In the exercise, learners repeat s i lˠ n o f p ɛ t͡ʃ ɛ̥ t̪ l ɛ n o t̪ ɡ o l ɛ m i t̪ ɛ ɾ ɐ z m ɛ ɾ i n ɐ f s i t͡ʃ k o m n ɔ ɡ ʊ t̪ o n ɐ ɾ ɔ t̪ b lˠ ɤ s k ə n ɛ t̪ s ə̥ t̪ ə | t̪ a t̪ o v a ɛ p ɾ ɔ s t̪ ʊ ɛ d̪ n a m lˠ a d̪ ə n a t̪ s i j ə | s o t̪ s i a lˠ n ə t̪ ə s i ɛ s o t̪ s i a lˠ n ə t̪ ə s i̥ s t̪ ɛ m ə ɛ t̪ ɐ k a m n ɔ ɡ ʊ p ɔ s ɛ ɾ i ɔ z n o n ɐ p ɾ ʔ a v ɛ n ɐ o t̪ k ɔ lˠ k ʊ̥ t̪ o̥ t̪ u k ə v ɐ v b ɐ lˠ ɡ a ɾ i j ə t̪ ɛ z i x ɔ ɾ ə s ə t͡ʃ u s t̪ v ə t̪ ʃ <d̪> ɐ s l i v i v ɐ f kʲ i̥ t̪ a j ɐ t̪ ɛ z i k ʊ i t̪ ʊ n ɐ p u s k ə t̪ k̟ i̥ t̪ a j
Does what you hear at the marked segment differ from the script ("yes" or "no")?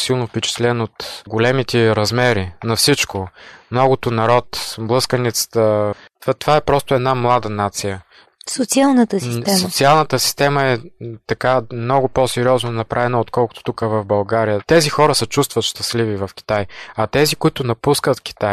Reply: yes